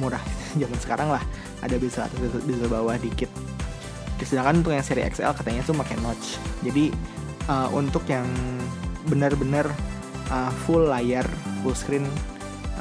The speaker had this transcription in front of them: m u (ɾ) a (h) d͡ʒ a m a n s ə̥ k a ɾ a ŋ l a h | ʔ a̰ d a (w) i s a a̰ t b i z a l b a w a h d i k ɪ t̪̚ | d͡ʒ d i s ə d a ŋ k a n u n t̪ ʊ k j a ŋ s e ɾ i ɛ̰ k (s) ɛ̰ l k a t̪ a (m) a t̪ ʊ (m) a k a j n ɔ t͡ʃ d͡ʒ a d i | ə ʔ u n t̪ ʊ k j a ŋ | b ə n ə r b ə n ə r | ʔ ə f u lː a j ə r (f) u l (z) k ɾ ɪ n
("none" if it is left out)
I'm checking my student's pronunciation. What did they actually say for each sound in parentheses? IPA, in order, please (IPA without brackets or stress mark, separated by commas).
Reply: ɾ, h, b, s, ɲ, m, f, s